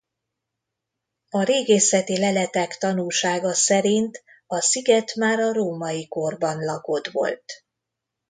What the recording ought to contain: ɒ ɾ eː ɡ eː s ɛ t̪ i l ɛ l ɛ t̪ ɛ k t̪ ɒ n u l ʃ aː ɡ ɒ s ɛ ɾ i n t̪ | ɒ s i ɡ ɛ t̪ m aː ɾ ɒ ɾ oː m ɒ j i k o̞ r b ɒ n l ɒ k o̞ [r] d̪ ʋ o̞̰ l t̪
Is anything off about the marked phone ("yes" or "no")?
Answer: yes